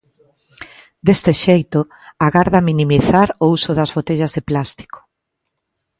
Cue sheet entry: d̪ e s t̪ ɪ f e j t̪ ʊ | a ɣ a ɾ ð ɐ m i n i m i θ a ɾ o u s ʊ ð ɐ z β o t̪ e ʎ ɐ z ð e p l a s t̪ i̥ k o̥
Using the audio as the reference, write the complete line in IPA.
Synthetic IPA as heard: d̪ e s t̪ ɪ ʃ e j t̪ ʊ | a ɣ a ɾ ð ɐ m i n i m i θ a ɾ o u s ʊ ð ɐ z β o t̪ e ʎ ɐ z ð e p l a s t̪ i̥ k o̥